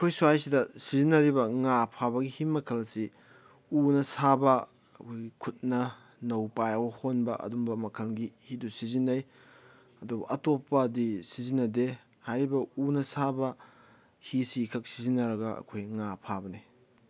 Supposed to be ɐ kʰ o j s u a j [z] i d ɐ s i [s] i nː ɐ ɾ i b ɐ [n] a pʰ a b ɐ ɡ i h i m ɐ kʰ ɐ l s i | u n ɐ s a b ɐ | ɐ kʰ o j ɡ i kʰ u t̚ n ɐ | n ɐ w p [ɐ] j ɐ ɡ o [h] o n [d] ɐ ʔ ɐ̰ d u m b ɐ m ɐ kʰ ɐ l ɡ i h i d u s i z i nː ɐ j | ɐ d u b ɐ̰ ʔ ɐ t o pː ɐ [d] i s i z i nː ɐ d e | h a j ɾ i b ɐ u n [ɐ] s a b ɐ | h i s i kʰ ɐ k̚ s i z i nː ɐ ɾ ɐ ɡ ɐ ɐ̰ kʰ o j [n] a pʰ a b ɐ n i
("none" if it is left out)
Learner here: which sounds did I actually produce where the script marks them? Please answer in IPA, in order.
s, z, ŋ, a, h, b, d, ɐ, ŋ

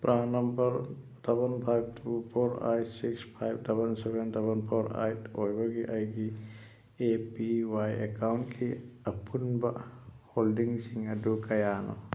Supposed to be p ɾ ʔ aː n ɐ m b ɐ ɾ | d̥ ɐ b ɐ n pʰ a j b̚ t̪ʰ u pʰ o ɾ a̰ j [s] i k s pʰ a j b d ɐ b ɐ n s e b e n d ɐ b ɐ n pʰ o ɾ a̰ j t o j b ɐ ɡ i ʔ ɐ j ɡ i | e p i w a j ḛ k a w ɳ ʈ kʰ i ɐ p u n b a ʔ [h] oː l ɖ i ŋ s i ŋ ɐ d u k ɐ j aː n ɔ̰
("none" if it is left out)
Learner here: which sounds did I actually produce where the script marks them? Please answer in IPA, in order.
s, h

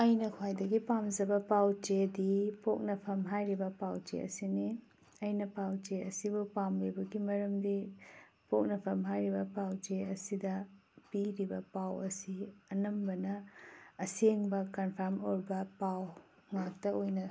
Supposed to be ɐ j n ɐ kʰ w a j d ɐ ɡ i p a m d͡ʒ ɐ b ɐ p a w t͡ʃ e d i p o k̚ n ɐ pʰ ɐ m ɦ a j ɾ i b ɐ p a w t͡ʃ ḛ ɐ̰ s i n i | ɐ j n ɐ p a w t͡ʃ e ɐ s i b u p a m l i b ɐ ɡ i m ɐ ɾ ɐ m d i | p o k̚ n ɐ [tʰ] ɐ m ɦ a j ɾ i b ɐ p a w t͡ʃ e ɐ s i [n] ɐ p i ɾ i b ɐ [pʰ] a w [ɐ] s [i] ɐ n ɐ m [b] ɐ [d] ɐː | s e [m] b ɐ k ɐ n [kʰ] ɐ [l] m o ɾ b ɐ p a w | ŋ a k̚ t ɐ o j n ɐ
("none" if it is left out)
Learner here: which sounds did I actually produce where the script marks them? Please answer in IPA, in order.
pʰ, d, p, ɐ, i, b, n, ŋ, pʰ, ɾ

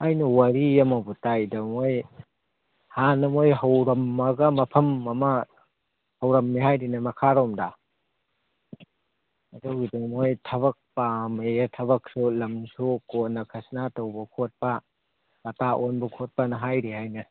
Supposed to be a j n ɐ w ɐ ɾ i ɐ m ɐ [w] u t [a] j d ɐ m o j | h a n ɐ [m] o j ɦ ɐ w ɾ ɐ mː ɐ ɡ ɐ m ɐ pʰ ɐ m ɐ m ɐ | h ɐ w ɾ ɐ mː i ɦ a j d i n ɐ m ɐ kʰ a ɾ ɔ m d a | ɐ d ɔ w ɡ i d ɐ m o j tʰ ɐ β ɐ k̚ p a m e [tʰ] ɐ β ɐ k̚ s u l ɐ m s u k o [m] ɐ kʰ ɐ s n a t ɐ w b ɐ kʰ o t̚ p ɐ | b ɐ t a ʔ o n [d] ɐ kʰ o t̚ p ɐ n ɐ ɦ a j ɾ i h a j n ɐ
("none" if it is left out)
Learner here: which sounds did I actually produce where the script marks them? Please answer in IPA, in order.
b, a, m, tʰ, n, b

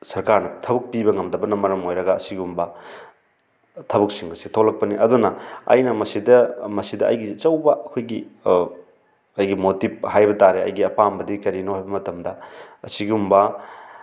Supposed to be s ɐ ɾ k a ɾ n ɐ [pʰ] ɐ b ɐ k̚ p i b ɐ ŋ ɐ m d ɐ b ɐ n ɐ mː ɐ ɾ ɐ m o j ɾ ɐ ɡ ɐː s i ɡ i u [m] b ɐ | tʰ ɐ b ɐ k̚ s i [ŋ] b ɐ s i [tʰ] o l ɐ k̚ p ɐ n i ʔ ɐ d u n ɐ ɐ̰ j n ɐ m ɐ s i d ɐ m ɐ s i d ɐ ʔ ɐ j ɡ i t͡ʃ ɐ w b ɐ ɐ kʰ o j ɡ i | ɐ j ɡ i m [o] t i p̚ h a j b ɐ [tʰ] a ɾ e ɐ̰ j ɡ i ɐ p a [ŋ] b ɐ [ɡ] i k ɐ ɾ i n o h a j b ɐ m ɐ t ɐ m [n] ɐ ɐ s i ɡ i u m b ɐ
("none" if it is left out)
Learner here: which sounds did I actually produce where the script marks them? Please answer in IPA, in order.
tʰ, m, ŋ, tʰ, o, t, m, d, d

